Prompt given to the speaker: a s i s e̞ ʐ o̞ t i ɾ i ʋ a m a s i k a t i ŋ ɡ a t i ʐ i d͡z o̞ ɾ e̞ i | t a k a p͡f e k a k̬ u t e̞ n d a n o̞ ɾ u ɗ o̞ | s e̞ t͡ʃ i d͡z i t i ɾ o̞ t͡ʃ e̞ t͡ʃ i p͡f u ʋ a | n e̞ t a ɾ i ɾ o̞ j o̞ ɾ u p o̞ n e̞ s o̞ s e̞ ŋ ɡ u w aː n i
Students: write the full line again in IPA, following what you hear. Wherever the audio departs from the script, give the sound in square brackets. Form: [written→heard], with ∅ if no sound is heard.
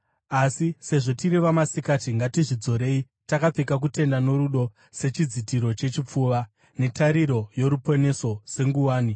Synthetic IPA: a s i s e̞ ʐ o̞ t i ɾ i ʋ a m a s i k a t i ŋ ɡ a t i ʐ i d͡z o̞ ɾ e̞ i | t a k a p͡f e k a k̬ u t e̞ n d a n o̞ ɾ u ɗ o̞ | s e̞ t͡ʃ i d͡z i t i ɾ o̞ t͡ʃ e̞ t͡ʃ i p͡f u ʋ a | n e̞ t a ɾ i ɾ o̞ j o̞ ɾ u p o̞ n e̞ s o̞ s e̞ ŋ ɡ u w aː n i